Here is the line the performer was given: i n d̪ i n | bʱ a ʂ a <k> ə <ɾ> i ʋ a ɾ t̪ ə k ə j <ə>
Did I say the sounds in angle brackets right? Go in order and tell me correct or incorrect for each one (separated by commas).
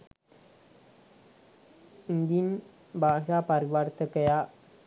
incorrect, correct, incorrect